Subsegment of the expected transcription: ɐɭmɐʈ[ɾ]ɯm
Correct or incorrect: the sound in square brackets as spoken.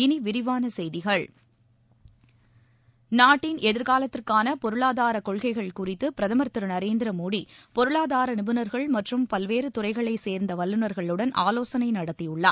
incorrect: r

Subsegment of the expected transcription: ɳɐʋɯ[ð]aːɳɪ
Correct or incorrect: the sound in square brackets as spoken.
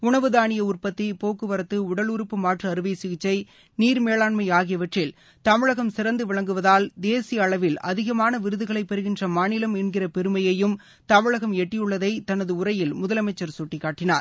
correct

